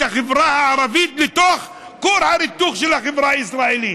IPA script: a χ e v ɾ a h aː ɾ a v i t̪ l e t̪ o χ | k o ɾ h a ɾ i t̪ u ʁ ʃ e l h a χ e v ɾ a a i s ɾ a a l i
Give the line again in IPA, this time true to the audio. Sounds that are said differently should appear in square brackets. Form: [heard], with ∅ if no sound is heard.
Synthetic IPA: a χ e v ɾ a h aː ɾ a v i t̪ l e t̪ o χ | k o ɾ h a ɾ i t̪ u [χ] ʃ e l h a χ e v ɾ a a i s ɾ a [e] l i

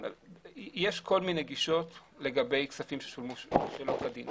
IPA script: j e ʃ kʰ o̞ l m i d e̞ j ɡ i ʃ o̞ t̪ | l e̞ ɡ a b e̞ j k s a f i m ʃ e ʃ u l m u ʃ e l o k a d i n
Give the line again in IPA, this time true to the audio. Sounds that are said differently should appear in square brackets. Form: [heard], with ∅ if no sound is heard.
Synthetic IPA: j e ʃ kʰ o̞ l m i [n] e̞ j ɡ i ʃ o̞ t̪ | l e̞ ɡ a b e̞ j k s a f i m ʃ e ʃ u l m u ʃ e l o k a d i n

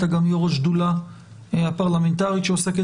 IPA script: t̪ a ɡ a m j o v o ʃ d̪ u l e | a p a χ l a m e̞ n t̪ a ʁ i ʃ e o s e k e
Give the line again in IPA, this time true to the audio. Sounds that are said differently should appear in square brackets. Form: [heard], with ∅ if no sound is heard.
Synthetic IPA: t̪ a ɡ a m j o [ʁ] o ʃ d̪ u l [a] | a p a [ʁ] l a m e̞ n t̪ a ʁ i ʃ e o s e k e

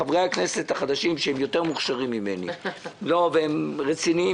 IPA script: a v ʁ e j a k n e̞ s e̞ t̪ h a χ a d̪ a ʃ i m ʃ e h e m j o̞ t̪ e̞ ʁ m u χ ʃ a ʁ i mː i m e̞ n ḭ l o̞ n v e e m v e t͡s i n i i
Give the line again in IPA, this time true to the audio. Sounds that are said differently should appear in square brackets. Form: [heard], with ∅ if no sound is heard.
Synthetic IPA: a v ʁ e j a k n e̞ s e̞ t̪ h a χ a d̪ a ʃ i m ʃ e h e m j o̞ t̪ e̞ ʁ m u χ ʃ a ʁ i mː i m e̞ n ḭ l o̞ [∅] v e e m [ʁ] e t͡s i n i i

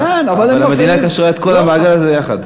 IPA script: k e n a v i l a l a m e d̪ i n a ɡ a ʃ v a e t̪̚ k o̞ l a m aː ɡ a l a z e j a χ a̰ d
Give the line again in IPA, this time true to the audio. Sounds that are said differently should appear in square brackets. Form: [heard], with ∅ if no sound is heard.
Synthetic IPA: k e n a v [a] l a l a m e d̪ i n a [k] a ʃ [ʁ] a e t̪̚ k o̞ l a m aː ɡ a l a z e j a χ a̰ d

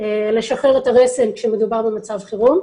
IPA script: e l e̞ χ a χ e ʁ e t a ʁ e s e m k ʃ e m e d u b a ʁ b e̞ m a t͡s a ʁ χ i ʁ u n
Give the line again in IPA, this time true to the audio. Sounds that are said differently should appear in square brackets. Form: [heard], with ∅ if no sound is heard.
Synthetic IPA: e l e̞ [ʃ] a χ e ʁ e t a ʁ e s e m k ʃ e m e d u b a ʁ b e̞ m a t͡s a [v] χ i ʁ u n

